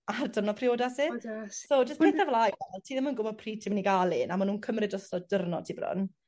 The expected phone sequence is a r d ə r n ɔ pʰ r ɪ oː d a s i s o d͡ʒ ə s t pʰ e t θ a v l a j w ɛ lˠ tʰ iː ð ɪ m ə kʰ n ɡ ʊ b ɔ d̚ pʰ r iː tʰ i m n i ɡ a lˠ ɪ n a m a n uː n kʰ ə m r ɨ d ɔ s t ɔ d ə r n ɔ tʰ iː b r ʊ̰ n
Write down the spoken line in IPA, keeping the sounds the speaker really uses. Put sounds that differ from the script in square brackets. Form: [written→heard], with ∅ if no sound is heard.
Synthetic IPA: a r d ə r n ɔ pʰ r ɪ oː d a s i s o d͡ʒ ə s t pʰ e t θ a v l a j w ɛ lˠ tʰ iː ð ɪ m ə [kʰ→∅] n ɡ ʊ b ɔ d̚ pʰ r iː tʰ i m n i ɡ a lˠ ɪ n a m a n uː n kʰ ə m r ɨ d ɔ s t ɔ d ə r n ɔ tʰ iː b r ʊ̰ n